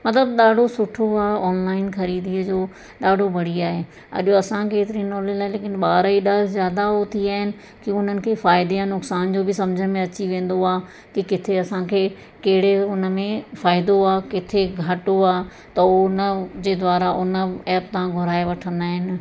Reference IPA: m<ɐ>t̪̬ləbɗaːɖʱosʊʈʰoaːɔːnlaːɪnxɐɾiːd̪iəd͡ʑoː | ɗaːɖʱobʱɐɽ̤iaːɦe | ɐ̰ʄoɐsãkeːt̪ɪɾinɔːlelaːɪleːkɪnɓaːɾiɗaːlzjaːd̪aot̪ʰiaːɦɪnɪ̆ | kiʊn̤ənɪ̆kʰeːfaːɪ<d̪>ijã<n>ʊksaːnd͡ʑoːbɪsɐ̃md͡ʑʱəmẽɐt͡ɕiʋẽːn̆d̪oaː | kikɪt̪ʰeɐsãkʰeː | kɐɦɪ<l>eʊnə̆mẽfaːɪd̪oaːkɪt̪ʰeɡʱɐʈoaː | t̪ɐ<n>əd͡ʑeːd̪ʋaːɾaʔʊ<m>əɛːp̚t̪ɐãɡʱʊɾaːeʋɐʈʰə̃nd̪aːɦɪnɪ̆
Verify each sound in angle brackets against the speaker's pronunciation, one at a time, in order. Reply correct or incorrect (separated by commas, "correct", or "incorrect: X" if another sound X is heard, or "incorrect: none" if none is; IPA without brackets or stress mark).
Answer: correct, correct, correct, incorrect: ɽ, correct, incorrect: n